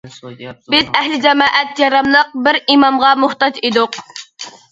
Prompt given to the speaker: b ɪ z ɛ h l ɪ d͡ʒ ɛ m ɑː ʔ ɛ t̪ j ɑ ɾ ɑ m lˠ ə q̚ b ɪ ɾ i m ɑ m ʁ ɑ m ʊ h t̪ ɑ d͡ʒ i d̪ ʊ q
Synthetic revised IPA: b ɪ z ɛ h l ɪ d͡ʒ ɛ m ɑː ʔ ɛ t̪ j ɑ ɾ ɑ m lˠ ə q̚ b ɪ ɾ i m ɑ m ʁ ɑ m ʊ h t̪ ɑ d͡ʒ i d̪ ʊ q

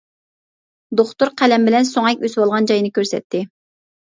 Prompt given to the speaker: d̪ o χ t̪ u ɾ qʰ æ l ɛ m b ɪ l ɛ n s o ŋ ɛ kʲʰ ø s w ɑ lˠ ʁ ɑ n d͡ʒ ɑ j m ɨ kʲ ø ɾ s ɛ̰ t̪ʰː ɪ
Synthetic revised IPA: d̪ o χ t̪ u ɾ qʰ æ l ɛ m b ɪ l ɛ n s o ŋ ɛ kʲ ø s w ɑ lˠ ʁ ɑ n d͡ʒ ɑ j n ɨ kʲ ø ɾ s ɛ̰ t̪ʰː ɪ

